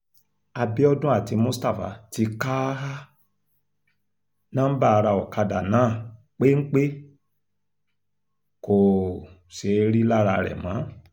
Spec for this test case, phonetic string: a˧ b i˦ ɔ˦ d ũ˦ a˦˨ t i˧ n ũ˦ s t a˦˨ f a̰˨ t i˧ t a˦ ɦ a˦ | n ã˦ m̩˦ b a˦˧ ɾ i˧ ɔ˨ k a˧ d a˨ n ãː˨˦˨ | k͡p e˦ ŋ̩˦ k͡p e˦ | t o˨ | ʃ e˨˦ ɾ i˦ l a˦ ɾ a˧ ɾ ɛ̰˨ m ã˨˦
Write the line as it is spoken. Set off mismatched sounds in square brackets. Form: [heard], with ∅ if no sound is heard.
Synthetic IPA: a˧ b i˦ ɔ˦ d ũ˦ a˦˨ t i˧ [m] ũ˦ s t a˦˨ f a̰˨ t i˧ [k] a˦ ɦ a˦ | n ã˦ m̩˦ b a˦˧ ɾ [a˧] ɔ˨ k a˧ d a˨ n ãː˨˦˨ | k͡p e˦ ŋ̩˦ k͡p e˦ | [k] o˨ | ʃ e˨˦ ɾ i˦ l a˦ ɾ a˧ ɾ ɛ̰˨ m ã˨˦